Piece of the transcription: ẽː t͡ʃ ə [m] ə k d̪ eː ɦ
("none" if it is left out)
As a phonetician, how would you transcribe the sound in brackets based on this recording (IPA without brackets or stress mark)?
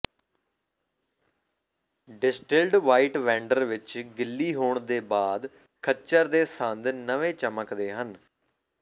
m